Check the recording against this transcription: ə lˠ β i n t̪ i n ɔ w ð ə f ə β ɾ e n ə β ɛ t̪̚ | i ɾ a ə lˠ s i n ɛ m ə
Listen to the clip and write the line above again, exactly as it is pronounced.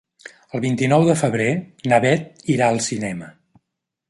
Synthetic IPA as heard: ə lˠ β i n t̪ i n ɔ w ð ə f ə β ɾ e n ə β ɛ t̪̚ | i ɾ a ə lˠ s i n ɛ m ə